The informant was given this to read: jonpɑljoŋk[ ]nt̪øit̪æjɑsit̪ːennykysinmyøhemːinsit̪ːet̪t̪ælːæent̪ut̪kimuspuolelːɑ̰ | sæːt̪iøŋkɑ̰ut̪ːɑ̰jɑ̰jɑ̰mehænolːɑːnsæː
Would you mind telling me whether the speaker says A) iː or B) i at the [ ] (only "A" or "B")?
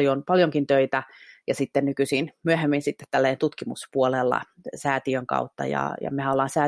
B